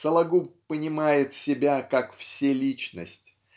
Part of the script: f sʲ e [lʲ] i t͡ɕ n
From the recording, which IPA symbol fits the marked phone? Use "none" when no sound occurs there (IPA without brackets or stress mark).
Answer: lʲ